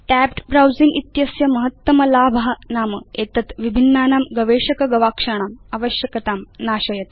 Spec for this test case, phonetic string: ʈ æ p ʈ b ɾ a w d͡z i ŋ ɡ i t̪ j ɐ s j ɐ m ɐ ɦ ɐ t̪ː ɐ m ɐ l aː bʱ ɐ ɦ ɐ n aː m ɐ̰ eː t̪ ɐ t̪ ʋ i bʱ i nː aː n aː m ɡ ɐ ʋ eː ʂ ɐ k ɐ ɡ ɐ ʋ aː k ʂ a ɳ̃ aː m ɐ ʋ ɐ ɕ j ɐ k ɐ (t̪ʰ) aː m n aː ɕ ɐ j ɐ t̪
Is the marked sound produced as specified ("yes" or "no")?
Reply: no